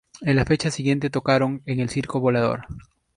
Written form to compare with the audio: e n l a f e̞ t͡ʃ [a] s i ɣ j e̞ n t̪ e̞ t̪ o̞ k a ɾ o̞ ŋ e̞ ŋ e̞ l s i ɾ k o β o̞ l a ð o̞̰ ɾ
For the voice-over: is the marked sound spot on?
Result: yes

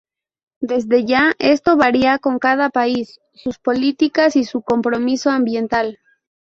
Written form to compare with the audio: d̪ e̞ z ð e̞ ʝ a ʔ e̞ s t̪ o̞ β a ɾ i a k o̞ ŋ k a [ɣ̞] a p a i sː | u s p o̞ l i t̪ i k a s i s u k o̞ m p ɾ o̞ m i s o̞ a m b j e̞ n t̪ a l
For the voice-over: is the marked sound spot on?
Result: no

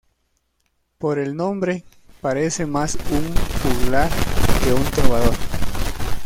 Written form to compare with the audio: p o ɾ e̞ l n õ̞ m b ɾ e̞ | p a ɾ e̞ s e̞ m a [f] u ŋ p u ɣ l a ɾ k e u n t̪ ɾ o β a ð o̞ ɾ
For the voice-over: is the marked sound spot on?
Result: no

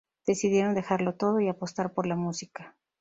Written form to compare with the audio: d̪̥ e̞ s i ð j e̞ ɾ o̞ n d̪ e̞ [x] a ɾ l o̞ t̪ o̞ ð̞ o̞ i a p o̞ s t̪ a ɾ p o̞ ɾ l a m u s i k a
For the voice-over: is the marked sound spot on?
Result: yes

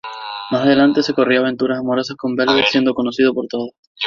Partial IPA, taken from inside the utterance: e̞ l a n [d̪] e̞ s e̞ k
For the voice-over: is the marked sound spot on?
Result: no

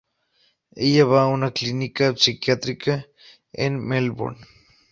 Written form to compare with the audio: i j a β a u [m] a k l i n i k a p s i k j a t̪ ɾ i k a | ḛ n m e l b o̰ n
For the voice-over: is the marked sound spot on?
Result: no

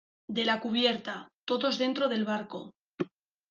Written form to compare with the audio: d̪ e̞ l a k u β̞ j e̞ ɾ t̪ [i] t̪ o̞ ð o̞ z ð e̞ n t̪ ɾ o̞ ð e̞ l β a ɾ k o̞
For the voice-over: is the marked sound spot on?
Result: no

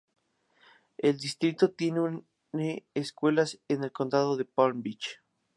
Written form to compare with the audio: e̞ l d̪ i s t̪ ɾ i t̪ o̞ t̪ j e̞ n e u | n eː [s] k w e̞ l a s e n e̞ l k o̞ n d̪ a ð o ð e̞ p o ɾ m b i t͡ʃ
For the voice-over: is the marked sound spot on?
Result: yes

